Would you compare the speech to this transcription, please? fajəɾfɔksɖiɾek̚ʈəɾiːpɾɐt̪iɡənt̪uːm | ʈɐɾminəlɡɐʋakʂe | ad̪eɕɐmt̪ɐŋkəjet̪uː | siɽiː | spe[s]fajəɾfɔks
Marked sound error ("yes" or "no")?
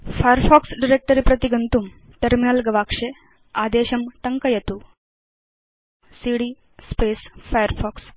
no